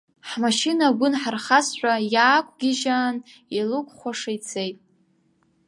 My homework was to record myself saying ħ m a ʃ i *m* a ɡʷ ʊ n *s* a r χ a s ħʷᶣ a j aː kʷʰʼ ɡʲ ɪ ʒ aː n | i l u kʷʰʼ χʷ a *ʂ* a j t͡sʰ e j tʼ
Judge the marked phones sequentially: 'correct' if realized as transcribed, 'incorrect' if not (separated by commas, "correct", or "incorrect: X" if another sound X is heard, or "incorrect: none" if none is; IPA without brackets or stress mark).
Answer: incorrect: n, incorrect: ħ, correct